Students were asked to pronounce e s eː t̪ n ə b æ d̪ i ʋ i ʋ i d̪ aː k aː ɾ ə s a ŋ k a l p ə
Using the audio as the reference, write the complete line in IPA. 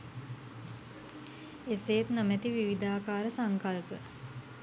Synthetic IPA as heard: e s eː t̪ n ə m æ t̪ i ʋ i ʋ i d̪ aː k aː ɾ ə s a ŋ k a l p ə